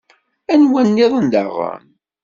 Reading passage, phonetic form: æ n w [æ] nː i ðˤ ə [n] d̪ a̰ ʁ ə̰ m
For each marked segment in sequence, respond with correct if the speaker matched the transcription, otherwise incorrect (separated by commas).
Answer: correct, correct